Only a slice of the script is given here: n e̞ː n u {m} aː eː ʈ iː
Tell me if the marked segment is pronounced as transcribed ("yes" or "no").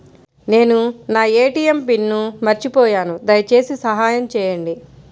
no